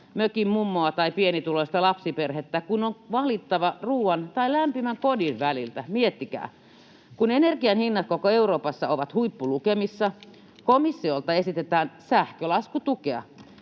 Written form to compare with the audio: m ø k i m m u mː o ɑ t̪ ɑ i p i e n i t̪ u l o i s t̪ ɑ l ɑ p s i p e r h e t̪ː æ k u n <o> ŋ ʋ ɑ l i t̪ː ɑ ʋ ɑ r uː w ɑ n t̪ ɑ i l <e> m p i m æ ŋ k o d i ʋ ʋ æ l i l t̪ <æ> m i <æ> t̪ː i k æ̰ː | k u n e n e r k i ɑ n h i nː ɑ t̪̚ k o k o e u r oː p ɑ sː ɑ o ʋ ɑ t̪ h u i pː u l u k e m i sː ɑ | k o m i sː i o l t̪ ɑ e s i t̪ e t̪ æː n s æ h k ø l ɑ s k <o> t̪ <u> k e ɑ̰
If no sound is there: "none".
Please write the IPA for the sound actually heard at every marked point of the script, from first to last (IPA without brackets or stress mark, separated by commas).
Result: o, æ, æ, e, u, u